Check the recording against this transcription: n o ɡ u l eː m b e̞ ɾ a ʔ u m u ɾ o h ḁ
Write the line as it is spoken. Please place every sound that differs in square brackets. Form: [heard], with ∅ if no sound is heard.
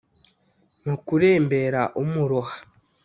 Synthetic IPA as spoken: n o [k] u [ɾ] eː m b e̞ ɾ a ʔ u m u ɾ o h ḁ